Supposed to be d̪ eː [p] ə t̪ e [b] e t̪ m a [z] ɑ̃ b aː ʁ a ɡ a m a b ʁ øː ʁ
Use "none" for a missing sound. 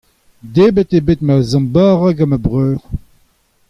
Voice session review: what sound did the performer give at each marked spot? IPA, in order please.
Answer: b, b, z

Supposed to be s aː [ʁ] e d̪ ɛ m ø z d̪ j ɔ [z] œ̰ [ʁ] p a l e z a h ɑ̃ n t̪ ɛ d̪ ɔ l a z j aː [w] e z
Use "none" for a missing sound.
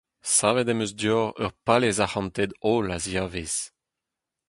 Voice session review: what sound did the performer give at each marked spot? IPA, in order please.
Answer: v, ʁ, ʁ, v

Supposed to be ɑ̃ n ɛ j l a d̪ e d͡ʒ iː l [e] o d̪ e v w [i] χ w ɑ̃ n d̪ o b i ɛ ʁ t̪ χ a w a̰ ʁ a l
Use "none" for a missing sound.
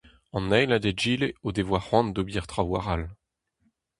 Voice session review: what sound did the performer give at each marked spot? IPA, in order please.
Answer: e, a

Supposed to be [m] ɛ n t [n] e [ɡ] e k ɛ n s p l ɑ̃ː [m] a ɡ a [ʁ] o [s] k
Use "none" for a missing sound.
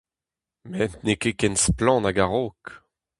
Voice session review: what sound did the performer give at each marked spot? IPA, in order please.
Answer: m, n, k, n, ʁ, none

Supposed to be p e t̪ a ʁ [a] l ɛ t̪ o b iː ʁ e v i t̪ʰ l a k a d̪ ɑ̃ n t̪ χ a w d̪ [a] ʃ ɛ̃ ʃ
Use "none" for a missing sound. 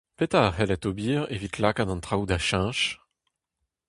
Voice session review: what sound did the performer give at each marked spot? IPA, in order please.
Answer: ɛ, a

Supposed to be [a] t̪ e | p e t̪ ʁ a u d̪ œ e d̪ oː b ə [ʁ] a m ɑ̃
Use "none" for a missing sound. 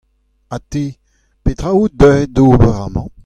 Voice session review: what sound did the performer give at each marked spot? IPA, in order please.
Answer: a, ʁ

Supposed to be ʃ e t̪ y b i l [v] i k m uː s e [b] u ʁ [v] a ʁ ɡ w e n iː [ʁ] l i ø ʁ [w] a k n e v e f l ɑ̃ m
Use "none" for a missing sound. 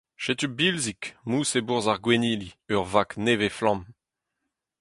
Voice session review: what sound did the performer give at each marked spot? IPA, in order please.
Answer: z, b, z, none, v

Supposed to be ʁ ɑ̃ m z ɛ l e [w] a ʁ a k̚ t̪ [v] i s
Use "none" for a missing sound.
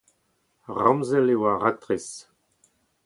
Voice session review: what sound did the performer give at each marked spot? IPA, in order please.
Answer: w, ʁ

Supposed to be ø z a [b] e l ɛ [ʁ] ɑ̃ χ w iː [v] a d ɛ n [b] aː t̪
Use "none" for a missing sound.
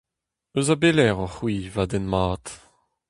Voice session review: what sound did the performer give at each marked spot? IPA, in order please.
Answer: b, ʁ, v, m

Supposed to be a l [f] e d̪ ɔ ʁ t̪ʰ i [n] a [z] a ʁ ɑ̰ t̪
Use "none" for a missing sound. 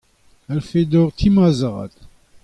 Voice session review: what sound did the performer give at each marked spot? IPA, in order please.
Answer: f, m, z

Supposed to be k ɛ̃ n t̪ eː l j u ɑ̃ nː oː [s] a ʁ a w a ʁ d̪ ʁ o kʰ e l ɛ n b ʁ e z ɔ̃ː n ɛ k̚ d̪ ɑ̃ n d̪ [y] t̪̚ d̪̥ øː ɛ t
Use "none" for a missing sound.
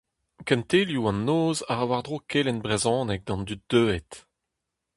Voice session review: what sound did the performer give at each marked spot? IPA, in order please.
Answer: z, y

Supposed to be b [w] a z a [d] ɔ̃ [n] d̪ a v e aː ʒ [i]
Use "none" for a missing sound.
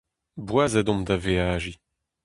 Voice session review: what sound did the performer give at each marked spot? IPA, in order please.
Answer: w, d, m, i

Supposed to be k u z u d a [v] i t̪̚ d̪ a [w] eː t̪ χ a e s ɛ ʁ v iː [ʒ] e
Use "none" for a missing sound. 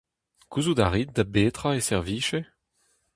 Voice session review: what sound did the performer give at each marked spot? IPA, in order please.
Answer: ʁ, b, ʃ

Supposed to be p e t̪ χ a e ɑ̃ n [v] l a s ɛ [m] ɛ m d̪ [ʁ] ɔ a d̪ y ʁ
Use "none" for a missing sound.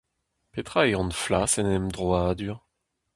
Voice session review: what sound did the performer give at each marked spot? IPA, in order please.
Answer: f, n, ʁ

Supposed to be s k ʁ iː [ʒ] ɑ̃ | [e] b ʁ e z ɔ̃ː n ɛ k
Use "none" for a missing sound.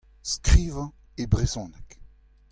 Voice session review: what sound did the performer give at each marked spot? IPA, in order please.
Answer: v, e

